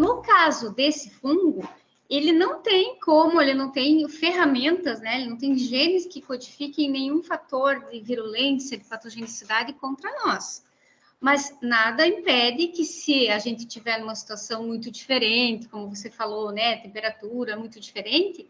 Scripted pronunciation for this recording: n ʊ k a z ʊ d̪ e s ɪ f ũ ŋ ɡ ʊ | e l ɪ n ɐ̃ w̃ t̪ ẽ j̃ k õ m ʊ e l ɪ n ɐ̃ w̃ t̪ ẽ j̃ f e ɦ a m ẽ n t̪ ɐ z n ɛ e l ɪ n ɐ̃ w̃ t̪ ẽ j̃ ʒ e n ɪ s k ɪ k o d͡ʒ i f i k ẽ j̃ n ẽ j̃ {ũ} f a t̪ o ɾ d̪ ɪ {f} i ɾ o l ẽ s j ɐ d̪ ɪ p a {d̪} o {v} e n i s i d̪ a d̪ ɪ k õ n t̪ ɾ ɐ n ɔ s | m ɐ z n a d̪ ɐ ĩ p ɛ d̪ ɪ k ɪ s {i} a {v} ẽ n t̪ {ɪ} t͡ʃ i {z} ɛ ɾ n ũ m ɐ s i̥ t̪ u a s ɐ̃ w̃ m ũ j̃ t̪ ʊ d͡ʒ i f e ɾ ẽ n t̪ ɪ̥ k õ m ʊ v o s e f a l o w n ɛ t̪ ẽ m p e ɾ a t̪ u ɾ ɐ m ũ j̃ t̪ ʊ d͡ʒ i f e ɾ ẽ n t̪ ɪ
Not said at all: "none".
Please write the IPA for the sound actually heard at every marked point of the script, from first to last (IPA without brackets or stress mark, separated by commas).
ũ, v, t̪, ʒ, ɪ, ʒ, ɪ, v